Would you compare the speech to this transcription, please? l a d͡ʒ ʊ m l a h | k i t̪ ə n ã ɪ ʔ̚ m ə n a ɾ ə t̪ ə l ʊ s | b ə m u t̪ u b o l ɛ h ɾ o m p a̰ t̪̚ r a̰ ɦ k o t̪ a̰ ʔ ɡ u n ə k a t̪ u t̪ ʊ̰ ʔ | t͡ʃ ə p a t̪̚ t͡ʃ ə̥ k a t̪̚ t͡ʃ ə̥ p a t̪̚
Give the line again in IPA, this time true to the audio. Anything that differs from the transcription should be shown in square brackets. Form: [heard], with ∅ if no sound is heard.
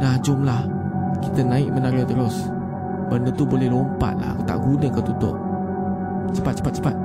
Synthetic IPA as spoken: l a d͡ʒ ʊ m l a h | k i t̪ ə n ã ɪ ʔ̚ m ə n a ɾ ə t̪ ə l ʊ s | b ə [n] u t̪ u b o l ɛ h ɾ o m p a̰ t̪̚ [l] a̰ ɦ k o t̪ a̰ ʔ ɡ u n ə k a t̪ u t̪ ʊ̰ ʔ | t͡ʃ ə p a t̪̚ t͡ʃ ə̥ [p] a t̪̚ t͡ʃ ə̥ p a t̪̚